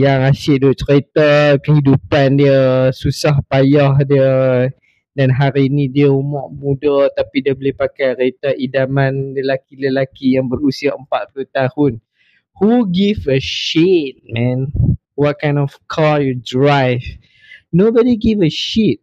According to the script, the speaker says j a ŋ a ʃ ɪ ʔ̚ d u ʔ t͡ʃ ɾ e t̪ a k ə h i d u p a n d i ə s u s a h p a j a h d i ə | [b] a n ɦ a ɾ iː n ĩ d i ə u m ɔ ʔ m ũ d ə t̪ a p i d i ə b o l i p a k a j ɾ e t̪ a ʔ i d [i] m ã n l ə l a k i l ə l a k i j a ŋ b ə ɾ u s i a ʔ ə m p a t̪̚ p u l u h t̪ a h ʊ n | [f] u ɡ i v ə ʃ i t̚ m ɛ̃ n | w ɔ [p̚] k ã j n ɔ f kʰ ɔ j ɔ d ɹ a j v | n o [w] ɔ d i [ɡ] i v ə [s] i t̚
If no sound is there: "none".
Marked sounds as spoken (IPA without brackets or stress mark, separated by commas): d, a, h, t̚, b, ɡ, ʃ